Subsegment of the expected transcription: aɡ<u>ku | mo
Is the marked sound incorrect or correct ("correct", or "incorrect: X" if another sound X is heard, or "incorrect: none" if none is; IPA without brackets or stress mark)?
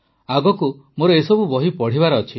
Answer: incorrect: ɔ